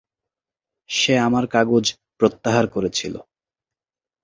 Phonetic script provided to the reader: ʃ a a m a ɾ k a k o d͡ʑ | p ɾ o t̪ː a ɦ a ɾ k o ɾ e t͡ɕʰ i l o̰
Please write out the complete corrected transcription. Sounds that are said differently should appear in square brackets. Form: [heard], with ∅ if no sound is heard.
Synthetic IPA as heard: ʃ [e] a m a ɾ k a [ɡ] o d͡ʑ | p ɾ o t̪ː a ɦ a ɾ k o ɾ e t͡ɕʰ i l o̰